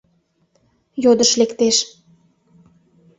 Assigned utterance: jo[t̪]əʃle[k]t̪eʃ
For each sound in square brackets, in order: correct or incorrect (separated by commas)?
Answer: incorrect, correct